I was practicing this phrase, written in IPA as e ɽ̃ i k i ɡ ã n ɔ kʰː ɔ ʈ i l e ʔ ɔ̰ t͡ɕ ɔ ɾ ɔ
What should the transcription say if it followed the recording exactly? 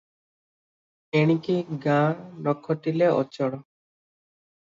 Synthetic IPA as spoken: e ɽ̃ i k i ɡ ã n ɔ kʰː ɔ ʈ i l e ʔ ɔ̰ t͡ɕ ɔ ɽ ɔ